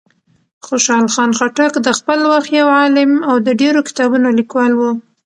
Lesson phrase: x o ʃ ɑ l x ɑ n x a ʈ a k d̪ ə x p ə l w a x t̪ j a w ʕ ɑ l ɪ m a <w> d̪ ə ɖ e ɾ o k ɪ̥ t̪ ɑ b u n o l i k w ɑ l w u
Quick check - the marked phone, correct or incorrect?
correct